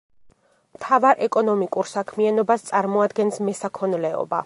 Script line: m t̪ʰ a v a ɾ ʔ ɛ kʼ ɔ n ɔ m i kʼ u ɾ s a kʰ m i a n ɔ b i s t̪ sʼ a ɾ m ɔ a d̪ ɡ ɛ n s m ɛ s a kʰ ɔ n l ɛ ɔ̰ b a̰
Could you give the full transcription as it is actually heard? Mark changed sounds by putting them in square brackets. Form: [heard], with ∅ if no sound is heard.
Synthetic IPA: m t̪ʰ a v a ɾ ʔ ɛ kʼ ɔ n ɔ m i kʼ u ɾ s a kʰ m i a n ɔ b [a] s t̪ sʼ a ɾ m ɔ a d̪ ɡ ɛ n s m ɛ s a kʰ ɔ n l ɛ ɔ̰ b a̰